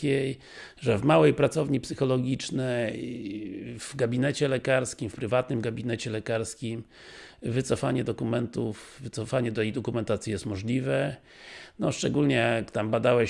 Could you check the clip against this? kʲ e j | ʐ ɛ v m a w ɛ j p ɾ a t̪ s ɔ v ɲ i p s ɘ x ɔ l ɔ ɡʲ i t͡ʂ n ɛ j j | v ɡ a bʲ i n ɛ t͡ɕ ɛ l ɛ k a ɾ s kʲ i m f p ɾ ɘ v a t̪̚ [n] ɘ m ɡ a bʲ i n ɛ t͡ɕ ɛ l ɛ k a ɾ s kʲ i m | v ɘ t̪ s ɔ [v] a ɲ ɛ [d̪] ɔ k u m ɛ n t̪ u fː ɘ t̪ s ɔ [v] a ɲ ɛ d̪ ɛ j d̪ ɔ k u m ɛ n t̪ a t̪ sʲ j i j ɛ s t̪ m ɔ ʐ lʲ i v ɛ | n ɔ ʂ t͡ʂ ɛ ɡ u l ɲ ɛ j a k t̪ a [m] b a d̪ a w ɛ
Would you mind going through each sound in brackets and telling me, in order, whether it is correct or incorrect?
correct, incorrect: f, correct, incorrect: f, correct

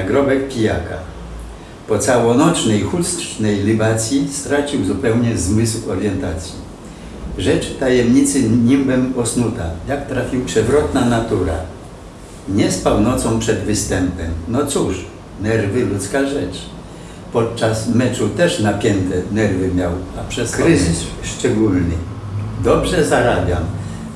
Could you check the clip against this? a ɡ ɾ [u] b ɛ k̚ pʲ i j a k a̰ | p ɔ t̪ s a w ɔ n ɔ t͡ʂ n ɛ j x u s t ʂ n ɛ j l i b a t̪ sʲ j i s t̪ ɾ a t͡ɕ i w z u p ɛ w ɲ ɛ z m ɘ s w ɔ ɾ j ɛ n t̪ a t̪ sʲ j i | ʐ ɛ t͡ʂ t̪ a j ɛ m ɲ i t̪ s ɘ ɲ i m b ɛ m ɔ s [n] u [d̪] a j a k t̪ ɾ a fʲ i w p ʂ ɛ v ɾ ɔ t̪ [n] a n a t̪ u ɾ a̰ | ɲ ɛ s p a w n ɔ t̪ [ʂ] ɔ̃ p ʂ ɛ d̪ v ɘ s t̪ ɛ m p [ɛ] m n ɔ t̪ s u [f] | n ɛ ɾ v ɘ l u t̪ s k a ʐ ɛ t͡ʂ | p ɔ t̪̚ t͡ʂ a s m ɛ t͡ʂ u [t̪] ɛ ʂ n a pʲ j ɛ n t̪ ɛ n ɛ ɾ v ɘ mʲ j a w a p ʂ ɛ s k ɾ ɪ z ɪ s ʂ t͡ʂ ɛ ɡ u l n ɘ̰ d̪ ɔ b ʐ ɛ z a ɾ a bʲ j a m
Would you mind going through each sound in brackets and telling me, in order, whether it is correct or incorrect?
incorrect: ɔ, correct, incorrect: t̪, correct, incorrect: s, correct, incorrect: ʂ, correct

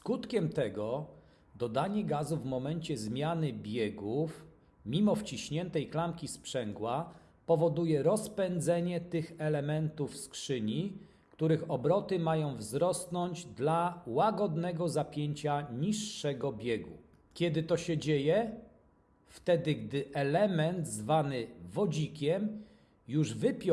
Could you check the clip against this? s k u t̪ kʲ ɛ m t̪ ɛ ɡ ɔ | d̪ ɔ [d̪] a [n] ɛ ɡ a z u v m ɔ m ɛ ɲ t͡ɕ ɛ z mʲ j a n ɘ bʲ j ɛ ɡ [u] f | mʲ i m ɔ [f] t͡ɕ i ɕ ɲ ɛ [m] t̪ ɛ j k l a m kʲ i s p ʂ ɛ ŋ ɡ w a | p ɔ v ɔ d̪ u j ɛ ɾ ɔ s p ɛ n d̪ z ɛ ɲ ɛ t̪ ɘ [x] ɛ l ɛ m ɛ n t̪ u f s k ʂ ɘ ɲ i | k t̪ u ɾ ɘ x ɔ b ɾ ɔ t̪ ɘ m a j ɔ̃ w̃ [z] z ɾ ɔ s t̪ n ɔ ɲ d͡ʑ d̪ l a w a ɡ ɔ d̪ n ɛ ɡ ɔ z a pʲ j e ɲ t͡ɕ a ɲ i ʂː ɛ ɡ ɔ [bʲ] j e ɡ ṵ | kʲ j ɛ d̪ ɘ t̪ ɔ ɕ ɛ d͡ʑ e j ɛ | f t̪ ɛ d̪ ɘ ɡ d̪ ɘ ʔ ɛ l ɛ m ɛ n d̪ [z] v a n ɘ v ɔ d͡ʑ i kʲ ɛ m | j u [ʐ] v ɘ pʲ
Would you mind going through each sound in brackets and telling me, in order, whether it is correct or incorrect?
correct, incorrect: ɲ, correct, correct, incorrect: n, correct, incorrect: v, correct, correct, correct

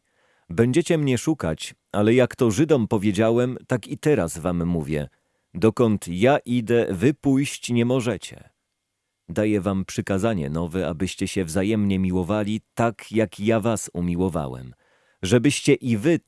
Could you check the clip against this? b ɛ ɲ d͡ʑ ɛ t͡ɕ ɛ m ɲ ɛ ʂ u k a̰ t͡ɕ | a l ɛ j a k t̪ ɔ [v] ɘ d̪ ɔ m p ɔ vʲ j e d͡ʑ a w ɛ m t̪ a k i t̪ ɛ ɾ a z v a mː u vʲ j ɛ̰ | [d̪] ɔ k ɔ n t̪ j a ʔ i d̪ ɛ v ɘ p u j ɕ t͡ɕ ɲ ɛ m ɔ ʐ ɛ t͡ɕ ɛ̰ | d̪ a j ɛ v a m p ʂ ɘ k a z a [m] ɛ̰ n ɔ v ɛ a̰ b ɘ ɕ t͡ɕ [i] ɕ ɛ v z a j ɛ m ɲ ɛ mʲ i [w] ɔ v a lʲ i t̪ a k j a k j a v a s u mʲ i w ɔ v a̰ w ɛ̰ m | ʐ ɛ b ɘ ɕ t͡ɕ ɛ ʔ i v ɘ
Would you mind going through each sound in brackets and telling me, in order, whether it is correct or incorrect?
incorrect: ʐ, correct, incorrect: ɲ, incorrect: ɛ, correct

